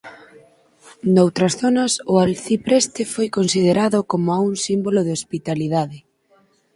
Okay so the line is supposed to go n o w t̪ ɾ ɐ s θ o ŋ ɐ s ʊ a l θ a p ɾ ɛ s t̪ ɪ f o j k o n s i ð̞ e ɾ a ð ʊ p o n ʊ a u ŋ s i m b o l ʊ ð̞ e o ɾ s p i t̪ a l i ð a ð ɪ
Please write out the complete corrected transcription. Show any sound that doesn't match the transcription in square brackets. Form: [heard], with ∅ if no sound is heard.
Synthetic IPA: n o w t̪ ɾ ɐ s θ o [n] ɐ s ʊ a l θ [i] p ɾ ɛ s t̪ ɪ f o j k o n s i ð̞ e ɾ a ð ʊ [k] o [m] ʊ a u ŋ s i m b o l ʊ ð̞ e o [∅] s p i t̪ a l i ð a ð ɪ